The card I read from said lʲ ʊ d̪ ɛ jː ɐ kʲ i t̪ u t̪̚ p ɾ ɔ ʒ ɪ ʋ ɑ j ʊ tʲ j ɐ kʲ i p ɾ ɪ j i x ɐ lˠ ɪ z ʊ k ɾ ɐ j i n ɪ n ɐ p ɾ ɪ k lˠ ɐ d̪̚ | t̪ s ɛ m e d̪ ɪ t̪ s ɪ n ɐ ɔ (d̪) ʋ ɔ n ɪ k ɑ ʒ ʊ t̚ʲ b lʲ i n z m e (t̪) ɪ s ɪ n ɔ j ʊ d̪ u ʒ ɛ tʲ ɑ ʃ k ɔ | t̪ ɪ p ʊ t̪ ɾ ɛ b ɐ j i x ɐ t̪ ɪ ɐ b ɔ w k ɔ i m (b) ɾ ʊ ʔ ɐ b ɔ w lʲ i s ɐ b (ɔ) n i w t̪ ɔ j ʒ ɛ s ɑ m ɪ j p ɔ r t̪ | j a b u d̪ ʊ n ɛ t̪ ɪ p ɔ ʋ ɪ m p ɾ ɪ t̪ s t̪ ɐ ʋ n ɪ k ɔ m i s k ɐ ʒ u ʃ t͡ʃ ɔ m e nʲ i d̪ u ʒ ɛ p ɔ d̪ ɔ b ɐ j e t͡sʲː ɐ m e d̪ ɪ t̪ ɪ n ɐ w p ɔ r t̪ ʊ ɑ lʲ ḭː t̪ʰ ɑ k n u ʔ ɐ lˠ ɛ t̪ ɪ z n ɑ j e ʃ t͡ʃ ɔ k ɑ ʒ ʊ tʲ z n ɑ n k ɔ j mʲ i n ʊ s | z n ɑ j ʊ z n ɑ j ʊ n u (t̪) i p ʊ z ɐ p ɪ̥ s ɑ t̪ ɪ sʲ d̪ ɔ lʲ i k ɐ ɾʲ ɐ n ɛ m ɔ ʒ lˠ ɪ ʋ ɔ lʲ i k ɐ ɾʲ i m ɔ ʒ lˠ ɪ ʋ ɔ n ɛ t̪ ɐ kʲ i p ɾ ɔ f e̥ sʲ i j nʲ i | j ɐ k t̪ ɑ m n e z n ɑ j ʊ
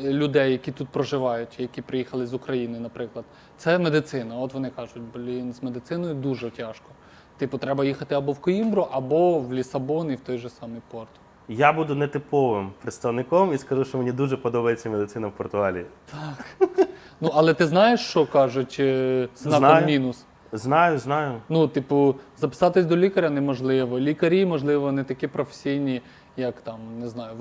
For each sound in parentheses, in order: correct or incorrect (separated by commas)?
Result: incorrect, incorrect, correct, correct, correct